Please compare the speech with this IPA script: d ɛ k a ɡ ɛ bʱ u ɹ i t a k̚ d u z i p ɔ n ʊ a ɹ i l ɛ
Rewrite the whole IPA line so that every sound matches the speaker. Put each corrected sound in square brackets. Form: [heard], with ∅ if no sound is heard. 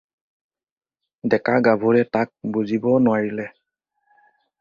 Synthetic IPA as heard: d ɛ k a ɡ [a] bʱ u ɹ [ɛ] t a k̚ [b] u z i [b] ɔ n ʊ a ɹ i l ɛ